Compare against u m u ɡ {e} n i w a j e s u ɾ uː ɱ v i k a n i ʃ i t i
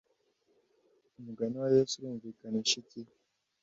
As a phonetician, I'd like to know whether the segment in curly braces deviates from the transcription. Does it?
yes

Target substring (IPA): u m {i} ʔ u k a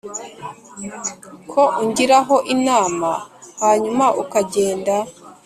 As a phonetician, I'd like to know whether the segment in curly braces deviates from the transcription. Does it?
yes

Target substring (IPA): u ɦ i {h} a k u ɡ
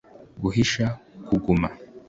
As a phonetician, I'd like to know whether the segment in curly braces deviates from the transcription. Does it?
yes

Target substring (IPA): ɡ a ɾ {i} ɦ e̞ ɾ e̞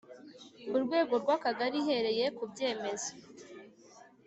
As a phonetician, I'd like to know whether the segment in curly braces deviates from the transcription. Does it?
no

